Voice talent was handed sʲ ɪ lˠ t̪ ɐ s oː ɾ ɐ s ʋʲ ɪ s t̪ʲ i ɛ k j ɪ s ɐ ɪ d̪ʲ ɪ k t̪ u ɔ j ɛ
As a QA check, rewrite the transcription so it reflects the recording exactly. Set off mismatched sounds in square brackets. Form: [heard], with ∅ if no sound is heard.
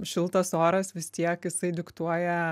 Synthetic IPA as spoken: [ʃʲ] ɪ lˠ t̪ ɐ s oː ɾ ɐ s ʋʲ ɪ s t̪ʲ i ɛ k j ɪ s ɐ ɪ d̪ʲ ɪ k t̪ u ɔ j ɛ